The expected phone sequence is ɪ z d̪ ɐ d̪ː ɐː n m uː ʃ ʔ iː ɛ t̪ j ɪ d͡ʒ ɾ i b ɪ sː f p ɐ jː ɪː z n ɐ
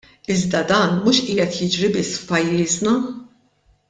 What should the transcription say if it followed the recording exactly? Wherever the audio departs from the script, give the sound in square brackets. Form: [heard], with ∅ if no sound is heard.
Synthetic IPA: ɪ z d̪ ɐ [d̪] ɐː n m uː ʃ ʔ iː ɛ t̪ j ɪ d͡ʒ ɾ i b ɪ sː f p ɐ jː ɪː z n ɐ